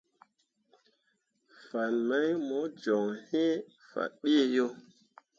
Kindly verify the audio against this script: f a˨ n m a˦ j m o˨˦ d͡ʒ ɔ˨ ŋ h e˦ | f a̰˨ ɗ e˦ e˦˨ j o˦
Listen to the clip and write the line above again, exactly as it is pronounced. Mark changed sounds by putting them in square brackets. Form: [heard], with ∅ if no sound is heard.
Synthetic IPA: f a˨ n m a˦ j m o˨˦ d͡ʒ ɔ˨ ŋ h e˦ | f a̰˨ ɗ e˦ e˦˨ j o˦